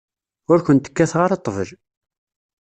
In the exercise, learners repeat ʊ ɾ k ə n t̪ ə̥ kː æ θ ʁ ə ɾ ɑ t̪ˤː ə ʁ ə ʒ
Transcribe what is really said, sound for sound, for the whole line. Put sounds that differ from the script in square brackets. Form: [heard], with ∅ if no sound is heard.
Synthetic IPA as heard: ʊ ɾ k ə n t̪ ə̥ kː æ θ ʁ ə ɾ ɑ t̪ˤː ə [v] ə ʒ